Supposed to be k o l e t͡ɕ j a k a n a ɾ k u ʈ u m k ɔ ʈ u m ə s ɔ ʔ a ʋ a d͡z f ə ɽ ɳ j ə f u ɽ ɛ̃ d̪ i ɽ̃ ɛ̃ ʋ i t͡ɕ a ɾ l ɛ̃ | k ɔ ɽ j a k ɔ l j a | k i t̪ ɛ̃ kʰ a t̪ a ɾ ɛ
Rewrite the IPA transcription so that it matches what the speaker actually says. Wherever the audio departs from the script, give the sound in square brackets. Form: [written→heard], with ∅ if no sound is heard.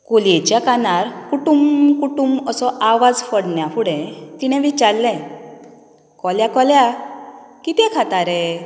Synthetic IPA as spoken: k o l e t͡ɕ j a k a n a ɾ k u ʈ u m k [ɔ→u] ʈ u m ə s ɔ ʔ a ʋ a d͡z f ə ɽ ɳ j [ə→a] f u ɽ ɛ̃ [d̪→t̪] i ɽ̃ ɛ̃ ʋ i t͡ɕ a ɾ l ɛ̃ | k ɔ [ɽ→l] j a k ɔ l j a | k i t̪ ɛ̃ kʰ a t̪ a ɾ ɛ